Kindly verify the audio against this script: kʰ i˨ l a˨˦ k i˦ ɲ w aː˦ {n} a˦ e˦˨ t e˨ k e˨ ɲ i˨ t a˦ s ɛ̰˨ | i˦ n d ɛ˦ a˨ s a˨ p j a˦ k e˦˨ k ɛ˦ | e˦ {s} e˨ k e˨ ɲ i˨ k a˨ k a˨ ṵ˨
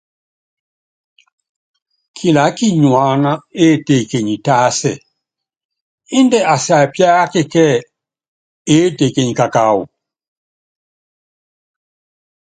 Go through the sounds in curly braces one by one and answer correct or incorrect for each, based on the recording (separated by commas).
correct, incorrect